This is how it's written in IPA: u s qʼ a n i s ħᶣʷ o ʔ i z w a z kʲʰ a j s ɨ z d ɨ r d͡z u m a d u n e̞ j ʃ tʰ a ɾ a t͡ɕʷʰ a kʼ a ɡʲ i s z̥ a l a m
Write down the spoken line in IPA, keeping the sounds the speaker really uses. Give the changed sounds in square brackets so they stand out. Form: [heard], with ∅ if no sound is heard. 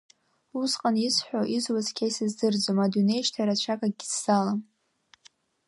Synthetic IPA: u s qʼ a n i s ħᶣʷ o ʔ i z w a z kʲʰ a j s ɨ z d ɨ r d͡z [o] m a d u n e̞ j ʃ tʰ a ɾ a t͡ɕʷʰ a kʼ a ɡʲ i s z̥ a l a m